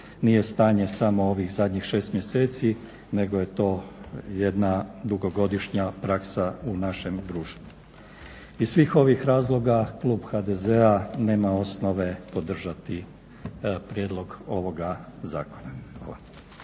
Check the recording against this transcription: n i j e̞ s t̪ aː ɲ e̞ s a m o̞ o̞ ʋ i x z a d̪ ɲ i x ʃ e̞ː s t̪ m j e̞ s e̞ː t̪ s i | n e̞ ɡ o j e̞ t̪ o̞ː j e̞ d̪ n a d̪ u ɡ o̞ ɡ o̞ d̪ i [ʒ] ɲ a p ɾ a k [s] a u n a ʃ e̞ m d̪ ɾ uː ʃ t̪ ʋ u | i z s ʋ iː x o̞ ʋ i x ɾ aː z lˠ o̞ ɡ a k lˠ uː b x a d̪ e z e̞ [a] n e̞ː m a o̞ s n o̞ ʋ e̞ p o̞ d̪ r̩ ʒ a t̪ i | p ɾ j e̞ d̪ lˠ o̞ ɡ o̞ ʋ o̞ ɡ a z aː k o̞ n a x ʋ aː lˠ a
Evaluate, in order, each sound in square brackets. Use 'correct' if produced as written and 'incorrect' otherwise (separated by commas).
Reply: incorrect, correct, correct